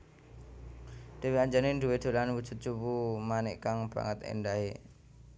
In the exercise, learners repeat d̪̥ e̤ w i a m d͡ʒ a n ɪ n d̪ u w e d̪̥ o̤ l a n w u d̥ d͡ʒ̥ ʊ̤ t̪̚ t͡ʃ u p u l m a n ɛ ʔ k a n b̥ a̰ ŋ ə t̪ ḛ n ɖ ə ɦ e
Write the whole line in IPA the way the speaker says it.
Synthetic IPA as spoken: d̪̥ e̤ w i a ɲ d͡ʒ a n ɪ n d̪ u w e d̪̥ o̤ l a n w u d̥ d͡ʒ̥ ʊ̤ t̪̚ t͡ʃ u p u m a n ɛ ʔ k a ŋ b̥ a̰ ŋ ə t̪ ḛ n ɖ a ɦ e